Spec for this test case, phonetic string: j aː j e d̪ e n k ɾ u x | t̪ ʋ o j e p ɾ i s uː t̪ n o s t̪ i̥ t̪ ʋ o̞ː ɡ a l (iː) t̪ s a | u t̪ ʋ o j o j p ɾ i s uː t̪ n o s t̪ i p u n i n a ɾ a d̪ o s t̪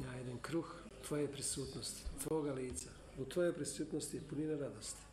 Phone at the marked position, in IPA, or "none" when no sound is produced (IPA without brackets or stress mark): iː